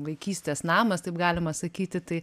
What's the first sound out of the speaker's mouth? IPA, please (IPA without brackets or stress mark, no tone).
ʋ